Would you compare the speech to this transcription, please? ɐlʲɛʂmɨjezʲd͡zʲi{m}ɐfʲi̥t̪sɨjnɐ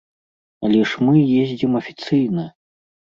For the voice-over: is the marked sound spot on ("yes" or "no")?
yes